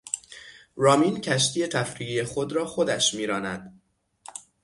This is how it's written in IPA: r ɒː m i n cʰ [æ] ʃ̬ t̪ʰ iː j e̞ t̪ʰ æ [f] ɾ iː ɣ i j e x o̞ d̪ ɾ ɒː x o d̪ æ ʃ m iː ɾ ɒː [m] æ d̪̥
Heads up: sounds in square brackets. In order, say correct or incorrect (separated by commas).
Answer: correct, correct, incorrect